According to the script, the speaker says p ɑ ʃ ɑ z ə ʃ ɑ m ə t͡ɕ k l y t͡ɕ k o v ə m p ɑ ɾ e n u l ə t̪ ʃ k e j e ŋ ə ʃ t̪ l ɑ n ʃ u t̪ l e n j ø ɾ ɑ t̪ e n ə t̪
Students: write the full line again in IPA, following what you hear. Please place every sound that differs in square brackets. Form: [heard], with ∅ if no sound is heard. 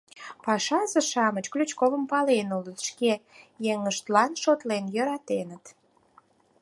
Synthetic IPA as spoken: p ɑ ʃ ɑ z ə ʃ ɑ m ə t͡ɕ k l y t͡ɕ k o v ə m p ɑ [l] e n u l ə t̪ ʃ k e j e ŋ ə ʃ t̪ l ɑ n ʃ [o] t̪ l e n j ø ɾ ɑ t̪ e n ə t̪